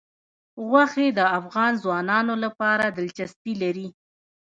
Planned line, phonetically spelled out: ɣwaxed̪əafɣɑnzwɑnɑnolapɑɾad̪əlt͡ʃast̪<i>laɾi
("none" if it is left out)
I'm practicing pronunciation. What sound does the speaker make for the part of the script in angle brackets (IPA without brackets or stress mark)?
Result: i